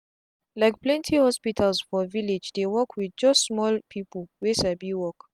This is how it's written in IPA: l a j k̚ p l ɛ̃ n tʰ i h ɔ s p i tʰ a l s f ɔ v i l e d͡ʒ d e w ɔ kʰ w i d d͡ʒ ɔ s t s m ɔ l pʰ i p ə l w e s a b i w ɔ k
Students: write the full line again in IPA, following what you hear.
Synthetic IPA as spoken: l a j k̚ p l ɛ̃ n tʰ i h ɔ s p i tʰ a l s f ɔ v i l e d͡ʒ d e w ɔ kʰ w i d d͡ʒ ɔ s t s m ɔ l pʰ i p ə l w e s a b i w ɔ k